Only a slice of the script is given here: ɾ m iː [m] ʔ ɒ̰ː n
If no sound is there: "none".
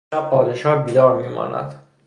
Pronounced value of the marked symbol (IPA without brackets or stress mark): m